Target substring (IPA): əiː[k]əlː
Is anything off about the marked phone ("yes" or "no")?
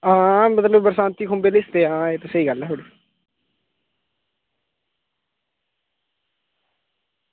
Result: yes